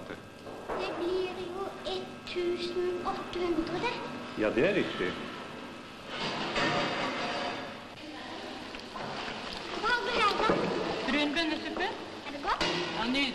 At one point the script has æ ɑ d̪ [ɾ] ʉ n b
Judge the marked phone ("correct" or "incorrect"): correct